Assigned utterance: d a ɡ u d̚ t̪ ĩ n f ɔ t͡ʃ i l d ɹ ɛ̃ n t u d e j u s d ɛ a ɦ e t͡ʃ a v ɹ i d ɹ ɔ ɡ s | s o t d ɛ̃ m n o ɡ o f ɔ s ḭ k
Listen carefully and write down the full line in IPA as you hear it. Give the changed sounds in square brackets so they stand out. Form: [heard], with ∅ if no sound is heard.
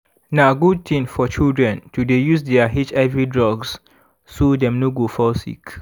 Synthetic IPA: [n] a ɡ u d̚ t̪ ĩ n f ɔ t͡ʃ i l d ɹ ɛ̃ n t u d e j u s d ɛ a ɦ [i] t͡ʃ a v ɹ i d ɹ ɔ ɡ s | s o [∅] d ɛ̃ m n o ɡ o f ɔ s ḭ k